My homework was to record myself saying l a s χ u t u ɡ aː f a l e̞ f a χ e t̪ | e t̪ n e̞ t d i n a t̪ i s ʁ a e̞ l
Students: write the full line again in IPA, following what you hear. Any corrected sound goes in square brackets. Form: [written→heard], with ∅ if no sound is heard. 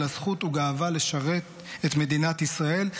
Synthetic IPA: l a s χ u t u ɡ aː [f→v] a l e̞ [f→ʃ] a [χ→ʁ] e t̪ | e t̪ [n→m] e̞ [t→∅] d i n a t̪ i s ʁ a e̞ l